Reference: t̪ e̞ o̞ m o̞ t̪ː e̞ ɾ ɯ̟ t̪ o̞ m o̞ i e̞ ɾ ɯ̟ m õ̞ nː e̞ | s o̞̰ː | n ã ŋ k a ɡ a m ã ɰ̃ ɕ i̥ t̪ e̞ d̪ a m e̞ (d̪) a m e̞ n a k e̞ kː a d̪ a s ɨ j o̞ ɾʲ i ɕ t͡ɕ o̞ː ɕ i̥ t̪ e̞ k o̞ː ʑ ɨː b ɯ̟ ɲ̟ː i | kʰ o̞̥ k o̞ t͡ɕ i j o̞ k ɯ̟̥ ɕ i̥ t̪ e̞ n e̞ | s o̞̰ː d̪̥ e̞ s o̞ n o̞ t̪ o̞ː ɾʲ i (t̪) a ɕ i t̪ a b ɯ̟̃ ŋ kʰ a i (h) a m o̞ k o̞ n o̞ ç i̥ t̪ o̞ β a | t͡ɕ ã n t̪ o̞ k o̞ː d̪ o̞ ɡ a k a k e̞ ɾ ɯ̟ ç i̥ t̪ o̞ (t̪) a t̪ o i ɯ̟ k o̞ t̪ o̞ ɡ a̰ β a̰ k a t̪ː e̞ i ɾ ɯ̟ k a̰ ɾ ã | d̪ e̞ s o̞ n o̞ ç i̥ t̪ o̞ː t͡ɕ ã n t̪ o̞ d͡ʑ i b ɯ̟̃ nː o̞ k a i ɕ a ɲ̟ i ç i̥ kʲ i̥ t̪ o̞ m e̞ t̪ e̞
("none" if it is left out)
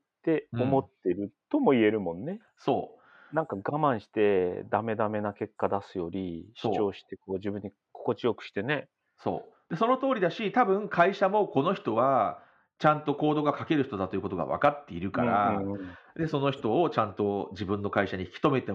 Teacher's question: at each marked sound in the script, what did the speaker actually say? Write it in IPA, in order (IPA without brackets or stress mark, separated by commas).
d̪, d̪, ɕ, d̪